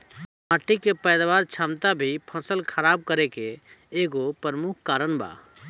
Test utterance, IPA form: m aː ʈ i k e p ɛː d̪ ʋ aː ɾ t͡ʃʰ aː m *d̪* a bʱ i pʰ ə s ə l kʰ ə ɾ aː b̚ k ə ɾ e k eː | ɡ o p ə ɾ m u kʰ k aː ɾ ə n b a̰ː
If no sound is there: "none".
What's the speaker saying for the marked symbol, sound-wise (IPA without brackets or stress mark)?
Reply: t̪